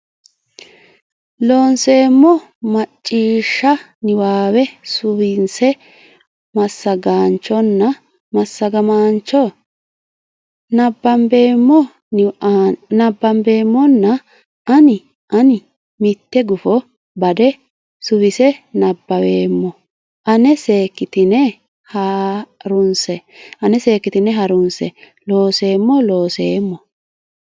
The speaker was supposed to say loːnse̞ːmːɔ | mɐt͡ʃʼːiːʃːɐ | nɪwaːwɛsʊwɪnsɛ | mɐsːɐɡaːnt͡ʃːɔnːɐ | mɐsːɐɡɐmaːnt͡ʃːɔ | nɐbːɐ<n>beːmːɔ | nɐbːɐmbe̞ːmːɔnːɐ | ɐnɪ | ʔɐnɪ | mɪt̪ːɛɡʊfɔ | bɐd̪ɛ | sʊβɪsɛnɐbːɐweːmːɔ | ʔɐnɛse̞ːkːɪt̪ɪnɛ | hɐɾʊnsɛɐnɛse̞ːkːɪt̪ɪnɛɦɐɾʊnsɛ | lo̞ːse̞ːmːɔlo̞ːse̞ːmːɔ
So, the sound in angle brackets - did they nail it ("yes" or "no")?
no